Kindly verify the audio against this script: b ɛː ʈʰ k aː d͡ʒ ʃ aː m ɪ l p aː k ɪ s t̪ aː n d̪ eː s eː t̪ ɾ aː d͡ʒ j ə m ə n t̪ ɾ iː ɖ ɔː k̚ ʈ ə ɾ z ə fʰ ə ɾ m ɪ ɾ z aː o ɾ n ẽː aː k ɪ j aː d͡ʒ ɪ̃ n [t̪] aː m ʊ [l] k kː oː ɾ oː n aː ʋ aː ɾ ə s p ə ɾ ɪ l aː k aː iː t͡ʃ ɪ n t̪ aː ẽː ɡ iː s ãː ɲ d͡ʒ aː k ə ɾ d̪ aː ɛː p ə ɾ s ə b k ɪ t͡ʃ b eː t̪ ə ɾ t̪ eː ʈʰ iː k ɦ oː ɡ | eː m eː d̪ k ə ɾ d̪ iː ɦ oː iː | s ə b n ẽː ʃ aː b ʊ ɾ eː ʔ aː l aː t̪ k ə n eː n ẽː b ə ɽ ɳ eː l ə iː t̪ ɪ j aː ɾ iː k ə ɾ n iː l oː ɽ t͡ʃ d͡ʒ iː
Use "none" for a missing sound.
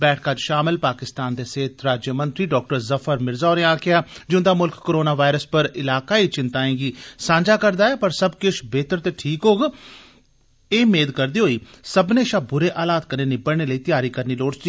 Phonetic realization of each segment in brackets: d̪, l

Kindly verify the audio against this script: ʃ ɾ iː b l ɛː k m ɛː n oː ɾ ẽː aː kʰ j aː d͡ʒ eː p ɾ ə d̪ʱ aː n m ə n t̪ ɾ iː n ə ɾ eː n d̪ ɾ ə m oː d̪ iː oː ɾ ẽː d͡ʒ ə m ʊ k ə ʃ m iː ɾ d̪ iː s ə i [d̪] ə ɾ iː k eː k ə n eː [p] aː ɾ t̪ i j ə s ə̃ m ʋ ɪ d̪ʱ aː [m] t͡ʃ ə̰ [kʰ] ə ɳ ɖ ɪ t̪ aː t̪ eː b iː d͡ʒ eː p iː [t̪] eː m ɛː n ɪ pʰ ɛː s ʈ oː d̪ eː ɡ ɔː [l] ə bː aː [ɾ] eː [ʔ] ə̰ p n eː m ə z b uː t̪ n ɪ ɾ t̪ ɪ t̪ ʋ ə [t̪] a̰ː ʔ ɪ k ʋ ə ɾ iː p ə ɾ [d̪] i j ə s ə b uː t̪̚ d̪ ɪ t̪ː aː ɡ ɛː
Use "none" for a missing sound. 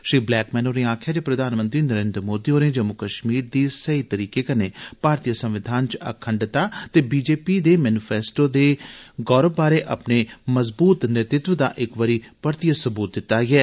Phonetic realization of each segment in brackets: t̪, p, n, kʰ, d̪, ɾ, ɾ, ʔ, d̪, t̪

